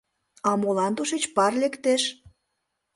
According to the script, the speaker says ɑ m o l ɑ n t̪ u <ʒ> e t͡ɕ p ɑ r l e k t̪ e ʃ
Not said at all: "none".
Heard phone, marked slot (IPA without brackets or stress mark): ʃ